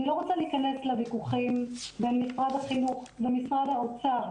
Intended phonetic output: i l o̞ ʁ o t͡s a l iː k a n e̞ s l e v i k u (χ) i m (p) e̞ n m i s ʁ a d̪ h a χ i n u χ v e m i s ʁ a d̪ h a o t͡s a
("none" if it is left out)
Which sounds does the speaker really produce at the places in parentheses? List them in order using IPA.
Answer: χ, b

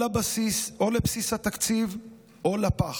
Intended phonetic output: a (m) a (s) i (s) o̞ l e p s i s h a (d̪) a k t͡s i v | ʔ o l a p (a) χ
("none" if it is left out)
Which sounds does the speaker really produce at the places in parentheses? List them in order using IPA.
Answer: b, s, s, t̪, a

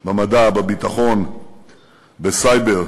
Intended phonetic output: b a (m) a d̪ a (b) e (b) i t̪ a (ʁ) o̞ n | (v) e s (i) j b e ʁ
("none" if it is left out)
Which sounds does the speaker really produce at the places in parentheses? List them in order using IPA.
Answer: m, b, b, χ, b, a

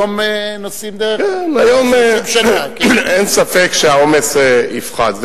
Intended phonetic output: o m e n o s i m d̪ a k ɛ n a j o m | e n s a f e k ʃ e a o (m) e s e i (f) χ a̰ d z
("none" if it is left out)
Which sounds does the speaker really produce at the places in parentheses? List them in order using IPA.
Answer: m, f

